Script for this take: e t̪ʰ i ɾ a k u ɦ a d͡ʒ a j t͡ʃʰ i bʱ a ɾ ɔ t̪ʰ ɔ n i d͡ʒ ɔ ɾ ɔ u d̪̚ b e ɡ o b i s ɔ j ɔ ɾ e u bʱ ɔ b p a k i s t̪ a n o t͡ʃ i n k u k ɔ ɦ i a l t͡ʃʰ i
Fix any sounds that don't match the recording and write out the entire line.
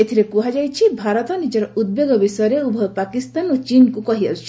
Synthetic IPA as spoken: e t̪ʰ i ɾ e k u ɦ a d͡ʒ a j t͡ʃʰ i bʱ a ɾ ɔ t̪ ɔ n i d͡ʒ ɔ ɾ ɔ u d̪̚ b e ɡ ɔ b i s ɔ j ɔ ɾ e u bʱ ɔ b p a k i s t̪ a n o t͡ʃ i n k u k ɔ ɦ i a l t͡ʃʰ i